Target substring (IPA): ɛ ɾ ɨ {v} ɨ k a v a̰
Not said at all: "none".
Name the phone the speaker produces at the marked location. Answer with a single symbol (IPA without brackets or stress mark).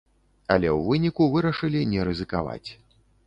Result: z